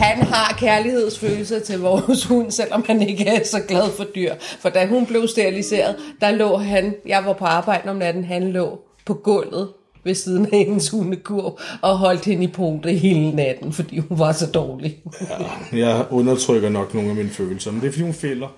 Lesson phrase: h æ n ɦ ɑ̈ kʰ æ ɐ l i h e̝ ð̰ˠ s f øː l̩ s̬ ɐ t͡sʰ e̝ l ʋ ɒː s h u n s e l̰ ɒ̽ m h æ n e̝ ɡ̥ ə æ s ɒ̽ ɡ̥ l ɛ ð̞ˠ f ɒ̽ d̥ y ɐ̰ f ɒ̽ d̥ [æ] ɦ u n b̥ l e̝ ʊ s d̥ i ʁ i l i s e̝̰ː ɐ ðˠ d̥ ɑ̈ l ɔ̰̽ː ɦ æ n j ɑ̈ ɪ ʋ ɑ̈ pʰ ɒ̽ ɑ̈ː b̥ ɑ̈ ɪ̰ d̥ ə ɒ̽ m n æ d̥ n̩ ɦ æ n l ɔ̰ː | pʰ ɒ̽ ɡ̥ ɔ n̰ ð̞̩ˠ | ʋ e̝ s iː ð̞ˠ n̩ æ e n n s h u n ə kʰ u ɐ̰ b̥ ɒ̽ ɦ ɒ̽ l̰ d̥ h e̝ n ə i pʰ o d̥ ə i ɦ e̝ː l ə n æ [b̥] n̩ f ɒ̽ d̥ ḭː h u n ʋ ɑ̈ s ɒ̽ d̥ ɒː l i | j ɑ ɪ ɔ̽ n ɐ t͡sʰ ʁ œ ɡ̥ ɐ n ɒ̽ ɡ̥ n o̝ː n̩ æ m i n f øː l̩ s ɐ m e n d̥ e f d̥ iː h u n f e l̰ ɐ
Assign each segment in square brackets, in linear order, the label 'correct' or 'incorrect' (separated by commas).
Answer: correct, incorrect